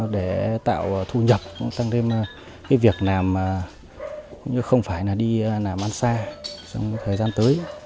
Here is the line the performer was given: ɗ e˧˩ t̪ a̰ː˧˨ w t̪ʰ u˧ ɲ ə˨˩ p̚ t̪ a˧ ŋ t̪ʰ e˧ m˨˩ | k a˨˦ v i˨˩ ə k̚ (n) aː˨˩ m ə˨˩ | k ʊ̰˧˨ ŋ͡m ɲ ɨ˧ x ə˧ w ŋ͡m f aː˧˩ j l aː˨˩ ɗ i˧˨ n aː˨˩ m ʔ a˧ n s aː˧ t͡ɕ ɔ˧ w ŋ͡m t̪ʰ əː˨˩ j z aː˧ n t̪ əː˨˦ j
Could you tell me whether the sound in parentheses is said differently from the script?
no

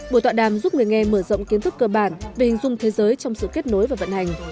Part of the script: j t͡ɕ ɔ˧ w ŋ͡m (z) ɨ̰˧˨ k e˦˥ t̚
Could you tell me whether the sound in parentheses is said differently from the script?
yes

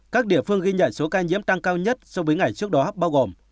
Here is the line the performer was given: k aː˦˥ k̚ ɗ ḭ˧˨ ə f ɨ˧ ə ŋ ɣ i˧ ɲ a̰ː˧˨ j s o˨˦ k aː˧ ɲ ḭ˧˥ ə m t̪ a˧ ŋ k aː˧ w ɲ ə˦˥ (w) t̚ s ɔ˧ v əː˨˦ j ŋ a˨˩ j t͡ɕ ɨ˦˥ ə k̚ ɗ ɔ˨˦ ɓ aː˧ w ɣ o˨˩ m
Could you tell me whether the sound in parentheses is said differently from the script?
yes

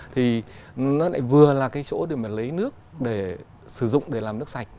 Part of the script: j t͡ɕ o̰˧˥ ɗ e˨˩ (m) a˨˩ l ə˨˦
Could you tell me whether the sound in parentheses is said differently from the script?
no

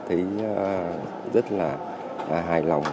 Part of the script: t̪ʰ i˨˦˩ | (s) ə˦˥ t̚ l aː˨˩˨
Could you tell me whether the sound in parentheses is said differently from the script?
yes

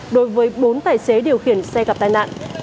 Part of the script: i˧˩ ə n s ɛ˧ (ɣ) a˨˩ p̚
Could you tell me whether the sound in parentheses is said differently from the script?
no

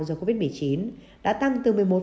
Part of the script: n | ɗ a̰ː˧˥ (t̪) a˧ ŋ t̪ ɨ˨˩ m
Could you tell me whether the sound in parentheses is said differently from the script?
no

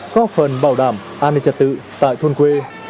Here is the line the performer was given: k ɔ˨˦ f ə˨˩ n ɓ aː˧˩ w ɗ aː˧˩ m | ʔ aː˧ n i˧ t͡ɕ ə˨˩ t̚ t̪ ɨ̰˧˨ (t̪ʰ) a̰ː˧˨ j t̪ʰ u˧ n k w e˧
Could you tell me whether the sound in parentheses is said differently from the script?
yes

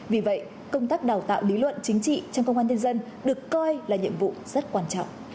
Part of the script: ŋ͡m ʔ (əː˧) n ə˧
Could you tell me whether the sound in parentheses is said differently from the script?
yes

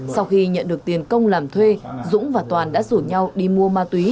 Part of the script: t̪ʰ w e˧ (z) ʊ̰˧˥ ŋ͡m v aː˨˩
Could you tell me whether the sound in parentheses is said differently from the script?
no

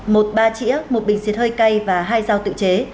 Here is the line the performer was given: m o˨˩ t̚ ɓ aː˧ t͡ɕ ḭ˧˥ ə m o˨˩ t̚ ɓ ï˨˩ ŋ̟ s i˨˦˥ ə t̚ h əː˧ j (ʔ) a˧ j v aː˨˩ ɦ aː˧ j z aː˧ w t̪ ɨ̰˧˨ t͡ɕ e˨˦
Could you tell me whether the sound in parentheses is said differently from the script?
yes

